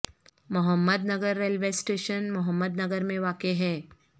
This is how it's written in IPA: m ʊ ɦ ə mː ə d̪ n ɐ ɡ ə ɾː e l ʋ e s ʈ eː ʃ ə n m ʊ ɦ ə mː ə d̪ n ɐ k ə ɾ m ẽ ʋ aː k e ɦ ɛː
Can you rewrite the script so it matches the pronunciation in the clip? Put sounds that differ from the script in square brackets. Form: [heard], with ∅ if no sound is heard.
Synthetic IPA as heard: m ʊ ɦ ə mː ə d̪ n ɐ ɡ ə ɾː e l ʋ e s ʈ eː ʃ ə n m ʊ ɦ ə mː ə d̪ n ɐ [ɡ] ə ɾ m ẽ ʋ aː k e ɦ ɛː

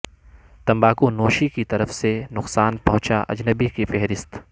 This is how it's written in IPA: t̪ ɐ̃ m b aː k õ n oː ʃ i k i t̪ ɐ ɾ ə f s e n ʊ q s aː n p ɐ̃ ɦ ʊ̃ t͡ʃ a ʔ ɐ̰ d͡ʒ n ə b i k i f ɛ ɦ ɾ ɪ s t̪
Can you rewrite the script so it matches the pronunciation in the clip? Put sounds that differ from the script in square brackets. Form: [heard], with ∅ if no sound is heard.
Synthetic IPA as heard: t̪ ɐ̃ m b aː k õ n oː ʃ i k i t̪ ɐ ɾ ə f s e n ʊ q s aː n p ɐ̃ ɦ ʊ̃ t͡ʃ a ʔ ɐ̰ d͡ʒ n ə b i k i f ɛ ɦ ɾ ɪ s t̪

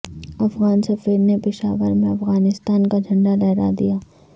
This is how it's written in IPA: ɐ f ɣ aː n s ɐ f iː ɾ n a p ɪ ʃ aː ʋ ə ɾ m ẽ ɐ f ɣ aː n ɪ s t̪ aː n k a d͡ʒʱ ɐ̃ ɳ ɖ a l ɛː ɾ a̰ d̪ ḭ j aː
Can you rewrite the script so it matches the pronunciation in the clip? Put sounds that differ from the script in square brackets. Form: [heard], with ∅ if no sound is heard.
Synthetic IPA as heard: ɐ f ɣ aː n s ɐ f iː ɾ n [e] p ɪ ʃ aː ʋ ə ɾ m ẽ ɐ f ɣ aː n ɪ s t̪ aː n k a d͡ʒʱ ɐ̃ ɳ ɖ a l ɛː ɾ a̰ d̪ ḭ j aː

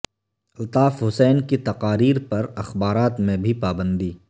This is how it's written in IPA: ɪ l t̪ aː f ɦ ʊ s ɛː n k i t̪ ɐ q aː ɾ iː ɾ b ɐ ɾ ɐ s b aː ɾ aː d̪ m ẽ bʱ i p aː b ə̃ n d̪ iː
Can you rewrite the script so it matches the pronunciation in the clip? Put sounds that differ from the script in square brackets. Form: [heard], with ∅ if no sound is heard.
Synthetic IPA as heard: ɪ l t̪ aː f ɦ ʊ s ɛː n k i t̪ ɐ q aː ɾ iː ɾ [p] ɐ ɾ ɐ [x] b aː ɾ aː [t̪] m ẽ bʱ i p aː b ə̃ n d̪ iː

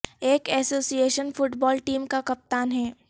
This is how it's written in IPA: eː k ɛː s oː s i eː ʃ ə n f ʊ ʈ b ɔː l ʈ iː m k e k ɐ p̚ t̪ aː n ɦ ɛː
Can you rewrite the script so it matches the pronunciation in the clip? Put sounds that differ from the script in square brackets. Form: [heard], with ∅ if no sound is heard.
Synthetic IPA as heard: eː k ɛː s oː s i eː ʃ ə n f ʊ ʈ b ɔː l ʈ iː m k [a] k ɐ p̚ t̪ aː n ɦ ɛː

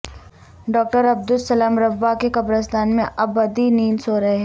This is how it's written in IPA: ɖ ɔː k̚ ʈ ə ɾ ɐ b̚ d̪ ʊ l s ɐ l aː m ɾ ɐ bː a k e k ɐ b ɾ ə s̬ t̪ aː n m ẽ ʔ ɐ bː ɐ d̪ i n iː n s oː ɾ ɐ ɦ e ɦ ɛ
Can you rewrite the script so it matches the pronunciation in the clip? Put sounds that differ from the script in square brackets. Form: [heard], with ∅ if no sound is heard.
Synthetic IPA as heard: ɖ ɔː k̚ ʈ ə ɾ ɐ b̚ d̪ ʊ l s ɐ l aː m ɾ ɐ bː a k e k ɐ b ɾ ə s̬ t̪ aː n m ẽ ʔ ɐ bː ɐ d̪ i n iː n s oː ɾ ɐ ɦ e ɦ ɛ

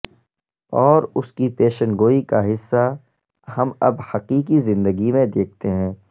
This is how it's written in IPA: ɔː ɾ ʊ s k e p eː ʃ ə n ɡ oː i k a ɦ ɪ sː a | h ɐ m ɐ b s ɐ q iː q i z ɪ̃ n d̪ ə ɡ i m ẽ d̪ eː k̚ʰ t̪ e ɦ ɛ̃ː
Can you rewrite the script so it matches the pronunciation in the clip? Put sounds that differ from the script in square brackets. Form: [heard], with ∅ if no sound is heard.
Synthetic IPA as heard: ɔː ɾ ʊ s k [i] p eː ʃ ə n ɡ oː i k a ɦ ɪ sː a | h ɐ m ɐ b [h] ɐ q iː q i z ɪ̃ n d̪ ə ɡ i m ẽ d̪ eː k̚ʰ t̪ e ɦ ɛ̃ː

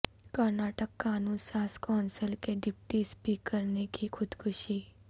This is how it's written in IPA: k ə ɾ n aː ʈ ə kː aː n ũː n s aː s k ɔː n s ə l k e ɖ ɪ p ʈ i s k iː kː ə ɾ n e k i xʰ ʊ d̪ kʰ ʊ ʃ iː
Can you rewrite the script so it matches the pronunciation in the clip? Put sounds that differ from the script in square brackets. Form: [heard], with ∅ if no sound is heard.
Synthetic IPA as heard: k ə ɾ n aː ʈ ə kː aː n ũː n s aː s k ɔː n s ə l k e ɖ ɪ p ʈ i s [p] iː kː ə ɾ n e k i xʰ ʊ d̪ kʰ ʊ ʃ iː

